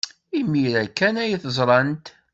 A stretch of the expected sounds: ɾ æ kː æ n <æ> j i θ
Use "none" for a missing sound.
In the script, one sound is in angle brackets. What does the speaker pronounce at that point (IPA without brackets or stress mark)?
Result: æ